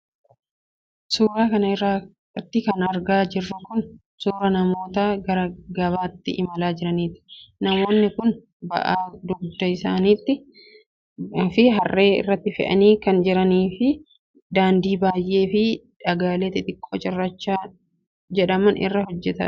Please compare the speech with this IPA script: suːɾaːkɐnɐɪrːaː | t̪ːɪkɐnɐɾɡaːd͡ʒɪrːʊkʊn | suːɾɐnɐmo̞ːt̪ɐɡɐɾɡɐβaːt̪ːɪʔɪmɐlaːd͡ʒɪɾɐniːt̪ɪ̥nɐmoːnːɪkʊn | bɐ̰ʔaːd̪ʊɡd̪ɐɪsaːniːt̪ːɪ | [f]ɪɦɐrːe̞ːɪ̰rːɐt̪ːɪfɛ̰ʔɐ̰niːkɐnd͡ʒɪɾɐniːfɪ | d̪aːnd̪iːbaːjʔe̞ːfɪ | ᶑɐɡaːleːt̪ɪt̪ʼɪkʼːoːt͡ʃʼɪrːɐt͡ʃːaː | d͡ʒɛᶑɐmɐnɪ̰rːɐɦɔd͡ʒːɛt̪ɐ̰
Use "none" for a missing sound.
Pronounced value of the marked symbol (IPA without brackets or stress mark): f